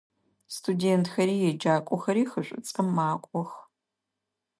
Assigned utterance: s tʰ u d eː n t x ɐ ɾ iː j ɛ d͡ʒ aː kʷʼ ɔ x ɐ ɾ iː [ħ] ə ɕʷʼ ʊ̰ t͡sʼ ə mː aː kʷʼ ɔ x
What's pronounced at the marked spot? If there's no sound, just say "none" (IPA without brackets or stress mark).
x